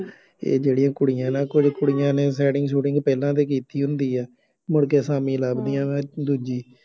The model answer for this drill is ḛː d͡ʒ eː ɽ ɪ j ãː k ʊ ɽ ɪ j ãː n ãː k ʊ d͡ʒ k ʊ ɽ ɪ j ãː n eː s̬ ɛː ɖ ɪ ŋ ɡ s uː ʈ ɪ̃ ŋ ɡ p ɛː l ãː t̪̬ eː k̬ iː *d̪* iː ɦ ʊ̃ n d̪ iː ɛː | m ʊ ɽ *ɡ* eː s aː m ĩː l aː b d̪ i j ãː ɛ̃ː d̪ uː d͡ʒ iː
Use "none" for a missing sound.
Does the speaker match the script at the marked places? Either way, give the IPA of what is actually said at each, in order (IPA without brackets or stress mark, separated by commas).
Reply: t̪, k